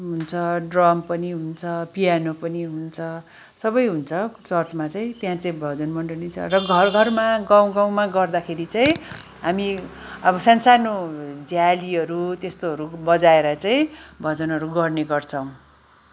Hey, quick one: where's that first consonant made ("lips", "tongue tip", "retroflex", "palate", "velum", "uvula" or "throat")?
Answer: throat